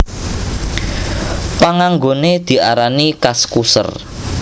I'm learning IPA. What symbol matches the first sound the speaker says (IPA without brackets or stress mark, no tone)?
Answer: p